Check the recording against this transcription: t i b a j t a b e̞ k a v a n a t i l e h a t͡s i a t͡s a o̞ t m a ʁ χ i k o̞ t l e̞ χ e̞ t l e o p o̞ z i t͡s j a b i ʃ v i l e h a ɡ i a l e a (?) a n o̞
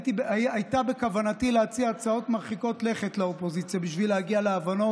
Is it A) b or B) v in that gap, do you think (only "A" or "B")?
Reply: B